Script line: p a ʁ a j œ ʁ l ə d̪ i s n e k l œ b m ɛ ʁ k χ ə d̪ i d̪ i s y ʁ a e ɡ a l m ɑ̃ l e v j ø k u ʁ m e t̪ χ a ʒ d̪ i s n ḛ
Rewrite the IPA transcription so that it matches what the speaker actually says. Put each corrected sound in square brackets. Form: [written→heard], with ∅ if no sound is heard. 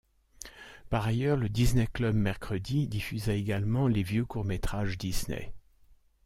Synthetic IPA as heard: p a ʁ a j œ ʁ l ə d̪ i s n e k l œ b m ɛ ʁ k χ ə d̪ i d̪ i [s→f] y [ʁ→z] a e ɡ a l m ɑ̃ l e v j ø k u ʁ m e t̪ χ a ʒ d̪ i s n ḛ